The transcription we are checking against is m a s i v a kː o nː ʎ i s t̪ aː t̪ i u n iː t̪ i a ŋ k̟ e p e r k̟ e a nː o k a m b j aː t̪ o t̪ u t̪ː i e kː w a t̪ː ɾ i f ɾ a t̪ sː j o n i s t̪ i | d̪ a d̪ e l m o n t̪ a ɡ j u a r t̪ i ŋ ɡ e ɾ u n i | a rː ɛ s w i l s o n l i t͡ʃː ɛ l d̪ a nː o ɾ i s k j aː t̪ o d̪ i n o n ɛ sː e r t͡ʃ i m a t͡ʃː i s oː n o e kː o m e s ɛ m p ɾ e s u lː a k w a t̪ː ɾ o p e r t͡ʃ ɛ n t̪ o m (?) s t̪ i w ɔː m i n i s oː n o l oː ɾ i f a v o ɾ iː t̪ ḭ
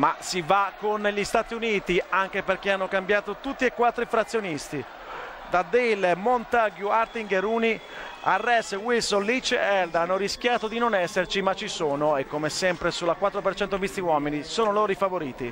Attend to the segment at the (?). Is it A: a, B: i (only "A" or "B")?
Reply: B